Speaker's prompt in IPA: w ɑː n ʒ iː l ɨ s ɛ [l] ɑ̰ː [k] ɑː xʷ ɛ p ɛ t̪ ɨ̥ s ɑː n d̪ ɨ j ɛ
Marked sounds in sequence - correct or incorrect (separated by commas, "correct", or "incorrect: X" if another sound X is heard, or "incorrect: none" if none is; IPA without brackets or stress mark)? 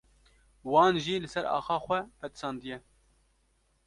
incorrect: ɾ, incorrect: x